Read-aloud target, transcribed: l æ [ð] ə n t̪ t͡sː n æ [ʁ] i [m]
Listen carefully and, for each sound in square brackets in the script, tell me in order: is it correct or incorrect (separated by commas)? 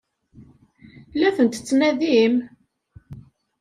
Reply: incorrect, incorrect, correct